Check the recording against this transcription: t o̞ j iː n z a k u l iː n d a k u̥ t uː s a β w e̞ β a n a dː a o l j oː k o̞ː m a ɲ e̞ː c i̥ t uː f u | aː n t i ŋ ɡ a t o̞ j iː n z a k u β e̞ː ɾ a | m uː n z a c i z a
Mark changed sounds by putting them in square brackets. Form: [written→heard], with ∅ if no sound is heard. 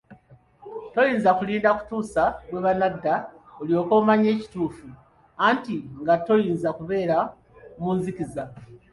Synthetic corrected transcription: t o̞ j iː n z a k u l iː n d a k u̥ t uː s a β w e̞ β a n a dː a o l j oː k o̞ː m a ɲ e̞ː c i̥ t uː f u | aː n t i ŋ ɡ a t o̞ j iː n z a k u β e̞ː ɾ a | m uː n z [a→i] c i z a